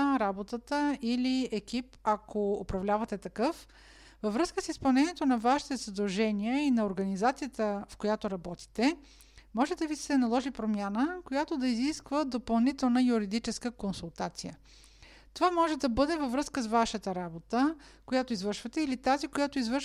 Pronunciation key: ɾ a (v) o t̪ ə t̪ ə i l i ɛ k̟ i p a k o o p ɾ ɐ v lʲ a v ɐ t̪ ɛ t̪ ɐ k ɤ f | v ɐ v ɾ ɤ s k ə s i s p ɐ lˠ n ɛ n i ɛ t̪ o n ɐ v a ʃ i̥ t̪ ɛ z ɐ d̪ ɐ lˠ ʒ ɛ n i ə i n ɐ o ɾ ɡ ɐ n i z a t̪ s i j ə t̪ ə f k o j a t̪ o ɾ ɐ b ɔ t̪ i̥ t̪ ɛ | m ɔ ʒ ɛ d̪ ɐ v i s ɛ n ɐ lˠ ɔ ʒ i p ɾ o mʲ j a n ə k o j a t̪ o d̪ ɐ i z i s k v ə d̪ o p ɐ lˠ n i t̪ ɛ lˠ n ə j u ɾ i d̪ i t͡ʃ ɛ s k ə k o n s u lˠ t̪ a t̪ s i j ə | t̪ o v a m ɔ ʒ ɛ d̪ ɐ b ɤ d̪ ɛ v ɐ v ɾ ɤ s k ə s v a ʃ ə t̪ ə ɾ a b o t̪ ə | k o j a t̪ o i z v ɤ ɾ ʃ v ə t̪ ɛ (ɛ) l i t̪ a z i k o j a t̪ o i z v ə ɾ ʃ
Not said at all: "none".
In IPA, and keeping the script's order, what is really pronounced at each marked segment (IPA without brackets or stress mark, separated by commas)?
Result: b, i